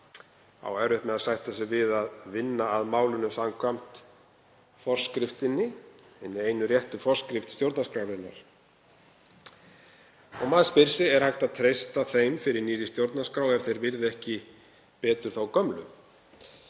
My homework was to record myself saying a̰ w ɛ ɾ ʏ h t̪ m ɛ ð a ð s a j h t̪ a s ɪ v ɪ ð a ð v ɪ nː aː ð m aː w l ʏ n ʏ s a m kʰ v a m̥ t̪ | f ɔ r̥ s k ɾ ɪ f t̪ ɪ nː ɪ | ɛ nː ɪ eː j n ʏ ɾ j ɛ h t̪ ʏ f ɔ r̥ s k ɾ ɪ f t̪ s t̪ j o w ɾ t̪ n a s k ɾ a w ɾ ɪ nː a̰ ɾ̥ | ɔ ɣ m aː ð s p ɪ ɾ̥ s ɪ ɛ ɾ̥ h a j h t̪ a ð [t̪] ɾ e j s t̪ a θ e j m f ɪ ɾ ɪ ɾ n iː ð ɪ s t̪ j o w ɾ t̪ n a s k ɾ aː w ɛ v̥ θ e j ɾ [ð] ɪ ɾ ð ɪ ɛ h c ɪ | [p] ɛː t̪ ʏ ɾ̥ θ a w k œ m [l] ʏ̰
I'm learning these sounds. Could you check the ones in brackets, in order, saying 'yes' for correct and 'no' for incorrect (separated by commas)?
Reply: no, no, yes, yes